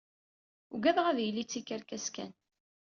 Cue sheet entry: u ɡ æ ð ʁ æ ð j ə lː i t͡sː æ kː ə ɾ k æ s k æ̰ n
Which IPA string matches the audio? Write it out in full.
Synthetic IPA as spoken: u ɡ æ ð ʁ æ ð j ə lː i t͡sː i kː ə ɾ k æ s k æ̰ n